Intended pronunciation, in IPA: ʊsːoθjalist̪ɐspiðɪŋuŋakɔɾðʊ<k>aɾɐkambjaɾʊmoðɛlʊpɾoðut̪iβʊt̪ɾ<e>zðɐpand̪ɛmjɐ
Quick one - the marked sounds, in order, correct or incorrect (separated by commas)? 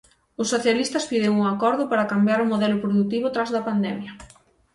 incorrect, incorrect